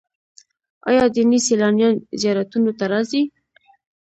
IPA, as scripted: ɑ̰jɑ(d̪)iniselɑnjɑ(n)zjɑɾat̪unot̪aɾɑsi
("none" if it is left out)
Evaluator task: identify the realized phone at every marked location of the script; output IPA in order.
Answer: d̪, n

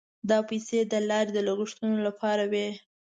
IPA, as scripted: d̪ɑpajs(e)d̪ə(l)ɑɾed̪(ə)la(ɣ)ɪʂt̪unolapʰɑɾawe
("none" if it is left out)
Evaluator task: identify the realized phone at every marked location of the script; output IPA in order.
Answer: e, l, ə, ɣ

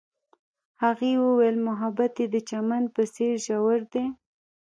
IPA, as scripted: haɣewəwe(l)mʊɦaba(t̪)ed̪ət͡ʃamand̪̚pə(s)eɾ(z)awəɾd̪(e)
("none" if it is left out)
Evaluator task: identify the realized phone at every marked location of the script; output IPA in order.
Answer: l, t̪, s, ʒ, e

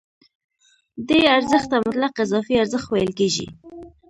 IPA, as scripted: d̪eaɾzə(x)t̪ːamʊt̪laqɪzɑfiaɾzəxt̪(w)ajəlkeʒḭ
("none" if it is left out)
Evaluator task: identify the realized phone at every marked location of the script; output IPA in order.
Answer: x, w

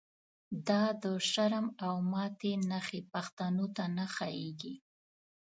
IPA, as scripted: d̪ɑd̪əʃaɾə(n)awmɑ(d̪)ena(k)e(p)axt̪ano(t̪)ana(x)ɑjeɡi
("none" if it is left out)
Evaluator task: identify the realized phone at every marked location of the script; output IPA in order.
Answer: m, t̪, x, p, t̪, x

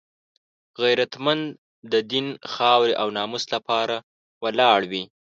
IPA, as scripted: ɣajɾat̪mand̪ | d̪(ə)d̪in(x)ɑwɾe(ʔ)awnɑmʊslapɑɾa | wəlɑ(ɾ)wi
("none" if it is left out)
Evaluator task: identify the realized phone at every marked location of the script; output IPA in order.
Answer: ə, x, ʔ, ɽ

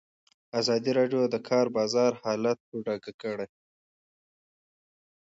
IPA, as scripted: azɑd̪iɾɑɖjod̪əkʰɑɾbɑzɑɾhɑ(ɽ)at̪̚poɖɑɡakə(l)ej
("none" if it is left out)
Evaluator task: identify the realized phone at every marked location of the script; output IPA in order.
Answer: l, ɽ

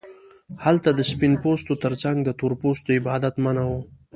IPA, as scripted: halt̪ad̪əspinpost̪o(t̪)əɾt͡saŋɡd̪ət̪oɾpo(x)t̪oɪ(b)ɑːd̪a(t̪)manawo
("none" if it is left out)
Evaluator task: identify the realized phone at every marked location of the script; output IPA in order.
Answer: t̪, s, b, t̪

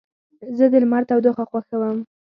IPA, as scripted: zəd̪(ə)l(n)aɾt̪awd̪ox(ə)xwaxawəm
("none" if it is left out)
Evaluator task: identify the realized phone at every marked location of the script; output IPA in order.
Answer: ə, m, a

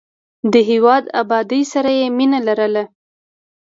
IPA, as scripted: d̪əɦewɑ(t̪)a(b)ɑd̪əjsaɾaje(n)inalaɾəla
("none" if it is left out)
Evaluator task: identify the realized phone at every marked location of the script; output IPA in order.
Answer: d̪, b, m

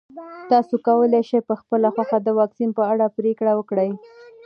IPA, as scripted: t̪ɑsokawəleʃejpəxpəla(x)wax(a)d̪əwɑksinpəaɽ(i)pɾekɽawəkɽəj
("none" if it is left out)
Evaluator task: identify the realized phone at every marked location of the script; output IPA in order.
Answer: x, a, a

